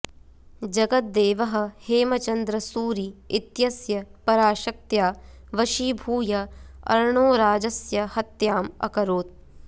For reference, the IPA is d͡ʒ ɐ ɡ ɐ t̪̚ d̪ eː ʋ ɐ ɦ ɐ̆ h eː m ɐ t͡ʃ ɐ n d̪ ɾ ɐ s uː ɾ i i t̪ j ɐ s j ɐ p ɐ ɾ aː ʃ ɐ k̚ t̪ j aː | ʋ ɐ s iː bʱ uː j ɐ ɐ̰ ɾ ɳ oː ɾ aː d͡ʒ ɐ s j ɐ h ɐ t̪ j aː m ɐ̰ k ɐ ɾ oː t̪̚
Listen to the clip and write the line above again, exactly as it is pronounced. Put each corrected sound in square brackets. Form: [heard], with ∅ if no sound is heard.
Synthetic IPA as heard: d͡ʒ ɐ ɡ ɐ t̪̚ d̪ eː ʋ ɐ ɦ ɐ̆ h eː m ɐ t͡ʃ ɐ n d̪ ɾ ɐ s uː ɾ i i t̪ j ɐ s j ɐ p ɐ ɾ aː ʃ ɐ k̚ t̪ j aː | ʋ ɐ [ʃ] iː bʱ uː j ɐ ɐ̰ ɾ ɳ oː ɾ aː d͡ʒ ɐ s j ɐ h ɐ t̪ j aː m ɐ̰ k ɐ ɾ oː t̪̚